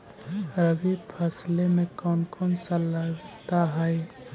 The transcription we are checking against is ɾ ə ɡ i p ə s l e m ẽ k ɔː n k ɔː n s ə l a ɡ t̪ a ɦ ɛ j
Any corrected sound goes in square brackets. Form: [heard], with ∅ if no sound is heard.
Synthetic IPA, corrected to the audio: ɾ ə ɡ i [pʰ] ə s l e m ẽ k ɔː n k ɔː n s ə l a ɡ t̪ a ɦ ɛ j